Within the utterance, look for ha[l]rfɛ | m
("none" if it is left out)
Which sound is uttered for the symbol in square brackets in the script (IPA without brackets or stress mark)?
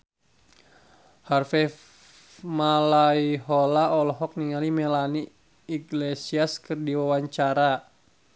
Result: none